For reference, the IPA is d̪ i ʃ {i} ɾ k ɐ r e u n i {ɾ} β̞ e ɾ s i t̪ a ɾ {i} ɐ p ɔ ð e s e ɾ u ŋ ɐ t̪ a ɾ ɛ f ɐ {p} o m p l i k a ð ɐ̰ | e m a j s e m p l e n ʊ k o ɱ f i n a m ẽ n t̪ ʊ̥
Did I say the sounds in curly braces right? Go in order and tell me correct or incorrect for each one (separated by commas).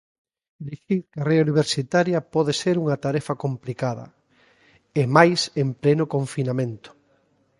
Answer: correct, incorrect, incorrect, incorrect